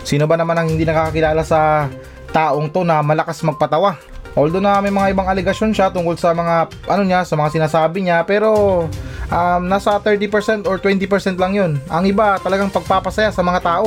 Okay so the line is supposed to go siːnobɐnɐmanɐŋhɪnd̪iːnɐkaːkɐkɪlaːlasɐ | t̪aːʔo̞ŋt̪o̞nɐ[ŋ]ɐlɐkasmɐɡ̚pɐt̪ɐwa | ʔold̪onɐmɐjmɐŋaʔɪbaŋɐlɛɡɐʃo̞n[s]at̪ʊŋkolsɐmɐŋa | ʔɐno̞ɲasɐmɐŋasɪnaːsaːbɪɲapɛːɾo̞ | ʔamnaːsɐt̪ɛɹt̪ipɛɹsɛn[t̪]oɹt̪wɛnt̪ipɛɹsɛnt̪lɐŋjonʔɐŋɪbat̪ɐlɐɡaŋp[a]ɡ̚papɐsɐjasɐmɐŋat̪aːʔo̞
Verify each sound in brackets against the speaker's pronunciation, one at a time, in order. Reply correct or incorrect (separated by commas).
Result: incorrect, incorrect, correct, incorrect